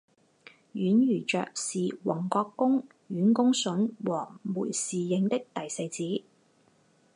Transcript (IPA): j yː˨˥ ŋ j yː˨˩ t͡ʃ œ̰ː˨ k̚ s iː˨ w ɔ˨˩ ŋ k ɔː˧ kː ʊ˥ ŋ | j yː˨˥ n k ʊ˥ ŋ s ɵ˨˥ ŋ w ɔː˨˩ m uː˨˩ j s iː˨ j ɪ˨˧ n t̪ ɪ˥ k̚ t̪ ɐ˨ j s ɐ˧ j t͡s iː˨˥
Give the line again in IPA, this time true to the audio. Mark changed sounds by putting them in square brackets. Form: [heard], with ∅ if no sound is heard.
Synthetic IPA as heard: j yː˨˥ [n] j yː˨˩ t͡ʃ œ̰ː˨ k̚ s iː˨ w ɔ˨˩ ŋ k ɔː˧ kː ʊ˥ ŋ | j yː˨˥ n k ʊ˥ ŋ s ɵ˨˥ [n] w ɔː˨˩ m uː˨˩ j s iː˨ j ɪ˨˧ [ŋ] t̪ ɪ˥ k̚ t̪ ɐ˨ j s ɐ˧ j t͡s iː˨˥